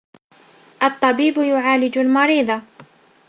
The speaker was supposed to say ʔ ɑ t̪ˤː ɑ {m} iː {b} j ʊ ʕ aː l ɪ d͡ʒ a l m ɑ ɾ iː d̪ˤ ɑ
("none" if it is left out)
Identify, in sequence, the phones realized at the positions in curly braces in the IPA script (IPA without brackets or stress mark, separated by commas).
b, b